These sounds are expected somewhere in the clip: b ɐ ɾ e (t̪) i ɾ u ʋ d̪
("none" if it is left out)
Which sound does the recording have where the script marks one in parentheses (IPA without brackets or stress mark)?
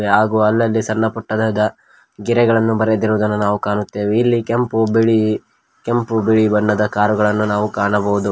d̪